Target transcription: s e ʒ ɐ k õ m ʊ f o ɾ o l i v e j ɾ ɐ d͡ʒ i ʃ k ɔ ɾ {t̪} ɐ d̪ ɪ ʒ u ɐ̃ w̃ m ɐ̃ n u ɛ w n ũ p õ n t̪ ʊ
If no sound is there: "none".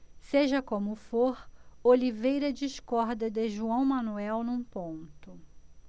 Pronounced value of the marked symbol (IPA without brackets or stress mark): d̪